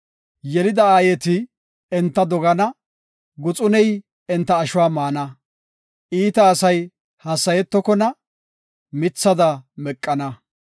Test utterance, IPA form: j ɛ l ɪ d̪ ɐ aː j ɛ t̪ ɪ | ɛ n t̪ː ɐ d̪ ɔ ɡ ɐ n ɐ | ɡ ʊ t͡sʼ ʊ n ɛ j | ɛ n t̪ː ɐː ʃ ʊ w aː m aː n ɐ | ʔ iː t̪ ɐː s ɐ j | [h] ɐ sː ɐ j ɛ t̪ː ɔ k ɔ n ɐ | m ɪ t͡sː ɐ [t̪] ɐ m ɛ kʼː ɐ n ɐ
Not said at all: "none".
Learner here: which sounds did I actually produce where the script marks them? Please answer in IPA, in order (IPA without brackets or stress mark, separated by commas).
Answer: h, d̪